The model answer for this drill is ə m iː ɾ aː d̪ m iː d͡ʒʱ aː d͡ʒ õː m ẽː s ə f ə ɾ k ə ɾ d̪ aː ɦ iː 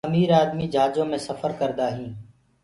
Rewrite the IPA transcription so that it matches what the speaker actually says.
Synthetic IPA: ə m iː ɾ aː d̪ m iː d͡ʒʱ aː d͡ʒ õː m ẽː s ə f ə ɾ k ə ɾ d̪ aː ɦ ĩː

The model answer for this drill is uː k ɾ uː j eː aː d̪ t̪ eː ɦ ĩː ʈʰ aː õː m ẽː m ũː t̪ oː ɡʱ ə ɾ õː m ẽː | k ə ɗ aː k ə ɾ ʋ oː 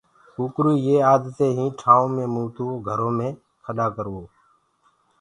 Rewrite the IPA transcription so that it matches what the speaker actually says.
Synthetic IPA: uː k ɾ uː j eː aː d̪ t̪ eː ɦ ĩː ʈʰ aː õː m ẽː m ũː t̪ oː ɡʱ ə ɾ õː m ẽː | kʰ ə ɗ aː k ə ɾ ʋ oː

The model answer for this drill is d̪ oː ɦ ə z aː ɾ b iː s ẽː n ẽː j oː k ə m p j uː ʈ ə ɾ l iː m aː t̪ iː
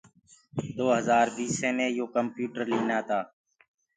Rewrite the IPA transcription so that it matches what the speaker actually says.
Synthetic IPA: d̪ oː ɦ ə z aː ɾ b iː s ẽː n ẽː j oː k ə m p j uː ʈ ə ɾ l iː n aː t̪ aː

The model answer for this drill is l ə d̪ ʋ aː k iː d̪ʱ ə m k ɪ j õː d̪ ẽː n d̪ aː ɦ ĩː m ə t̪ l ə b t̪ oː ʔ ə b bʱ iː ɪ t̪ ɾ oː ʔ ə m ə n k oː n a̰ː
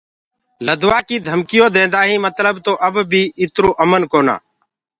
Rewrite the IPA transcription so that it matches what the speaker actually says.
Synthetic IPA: l ə d̪ ʋ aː k iː d̪ʱ ə m k ɪ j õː d̪ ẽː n d̪ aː ɦ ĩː m ə t̪ l ə b t̪ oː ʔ ə b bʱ iː ɪ t̪ ɾ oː ʔ ə m ə n k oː n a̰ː

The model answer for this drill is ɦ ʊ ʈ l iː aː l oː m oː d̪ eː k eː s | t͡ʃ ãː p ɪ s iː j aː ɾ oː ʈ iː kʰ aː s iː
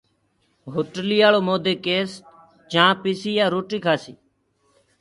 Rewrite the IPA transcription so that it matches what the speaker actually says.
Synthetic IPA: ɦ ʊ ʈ l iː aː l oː m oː d̪ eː k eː s | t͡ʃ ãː p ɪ s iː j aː ɾ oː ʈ iː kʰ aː s iː

